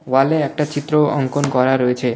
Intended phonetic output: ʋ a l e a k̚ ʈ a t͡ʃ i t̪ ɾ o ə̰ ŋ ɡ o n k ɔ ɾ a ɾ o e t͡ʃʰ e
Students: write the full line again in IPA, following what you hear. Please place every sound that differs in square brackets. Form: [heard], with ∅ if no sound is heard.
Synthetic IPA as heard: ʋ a l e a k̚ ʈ a t͡ʃ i t̪ ɾ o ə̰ ŋ [k] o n k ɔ ɾ a ɾ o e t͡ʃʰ e